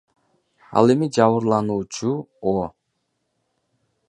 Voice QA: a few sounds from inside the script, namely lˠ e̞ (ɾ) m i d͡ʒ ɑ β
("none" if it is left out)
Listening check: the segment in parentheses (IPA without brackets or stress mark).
none